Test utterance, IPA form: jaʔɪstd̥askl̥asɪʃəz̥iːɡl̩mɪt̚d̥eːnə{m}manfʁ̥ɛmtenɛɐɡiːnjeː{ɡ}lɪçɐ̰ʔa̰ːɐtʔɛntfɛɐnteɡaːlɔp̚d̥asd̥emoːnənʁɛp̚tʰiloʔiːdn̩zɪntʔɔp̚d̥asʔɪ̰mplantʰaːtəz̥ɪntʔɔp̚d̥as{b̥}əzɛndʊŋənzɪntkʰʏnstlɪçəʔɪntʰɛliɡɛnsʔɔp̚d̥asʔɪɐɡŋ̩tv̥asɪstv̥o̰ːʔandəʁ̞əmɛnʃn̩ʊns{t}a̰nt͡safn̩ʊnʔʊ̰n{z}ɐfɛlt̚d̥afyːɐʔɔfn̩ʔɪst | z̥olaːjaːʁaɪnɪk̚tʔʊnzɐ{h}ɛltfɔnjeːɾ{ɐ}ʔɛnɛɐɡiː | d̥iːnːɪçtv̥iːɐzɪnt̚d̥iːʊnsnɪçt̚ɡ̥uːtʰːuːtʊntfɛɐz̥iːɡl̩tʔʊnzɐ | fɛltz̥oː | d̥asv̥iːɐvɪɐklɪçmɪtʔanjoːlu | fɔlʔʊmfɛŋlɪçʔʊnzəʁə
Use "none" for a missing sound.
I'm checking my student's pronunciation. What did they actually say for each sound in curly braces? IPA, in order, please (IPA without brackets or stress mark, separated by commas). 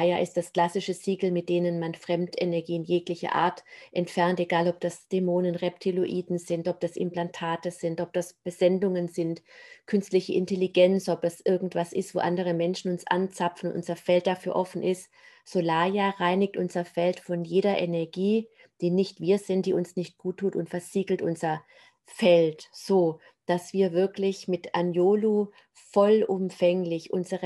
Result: n, k, b̥, ʔ, z, f, ɐ